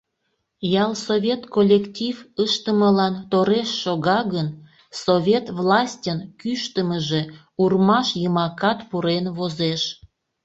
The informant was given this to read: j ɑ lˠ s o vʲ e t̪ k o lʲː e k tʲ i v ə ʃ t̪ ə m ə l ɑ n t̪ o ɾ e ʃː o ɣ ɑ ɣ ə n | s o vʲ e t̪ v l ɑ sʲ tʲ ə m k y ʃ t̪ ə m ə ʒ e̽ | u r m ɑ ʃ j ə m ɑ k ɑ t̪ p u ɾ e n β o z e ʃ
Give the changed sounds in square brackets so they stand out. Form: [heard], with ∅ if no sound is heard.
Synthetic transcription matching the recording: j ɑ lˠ s o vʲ e t̪ k o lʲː e k tʲ i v ə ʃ t̪ ə m ə l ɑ n t̪ o ɾ e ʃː o ɣ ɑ ɣ ə n | s o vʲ e t̪ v l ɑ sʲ tʲ ə [n] k y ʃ t̪ ə m ə ʒ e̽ | u r m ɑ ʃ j ə m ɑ k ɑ t̪ p u ɾ e n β o z e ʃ